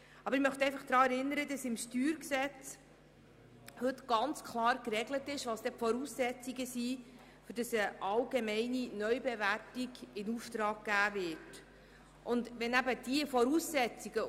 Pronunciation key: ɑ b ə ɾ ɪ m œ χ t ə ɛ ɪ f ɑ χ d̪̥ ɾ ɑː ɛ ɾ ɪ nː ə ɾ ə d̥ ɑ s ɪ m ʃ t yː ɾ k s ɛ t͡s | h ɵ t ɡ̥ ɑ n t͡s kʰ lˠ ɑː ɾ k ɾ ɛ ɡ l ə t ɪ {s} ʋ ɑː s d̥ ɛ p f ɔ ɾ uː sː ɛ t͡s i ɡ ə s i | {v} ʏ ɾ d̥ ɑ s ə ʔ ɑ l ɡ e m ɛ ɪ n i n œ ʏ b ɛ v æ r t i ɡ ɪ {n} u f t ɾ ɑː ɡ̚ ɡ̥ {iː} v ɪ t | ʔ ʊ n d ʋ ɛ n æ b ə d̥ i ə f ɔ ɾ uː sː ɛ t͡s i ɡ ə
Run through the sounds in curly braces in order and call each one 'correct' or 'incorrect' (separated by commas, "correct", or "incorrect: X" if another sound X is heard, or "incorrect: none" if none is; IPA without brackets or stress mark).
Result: incorrect: ʃ, incorrect: f, correct, incorrect: æː